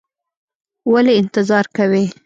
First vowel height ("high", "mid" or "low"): low